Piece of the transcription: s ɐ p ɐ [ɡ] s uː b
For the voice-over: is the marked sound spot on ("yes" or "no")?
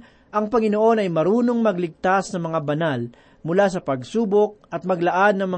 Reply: yes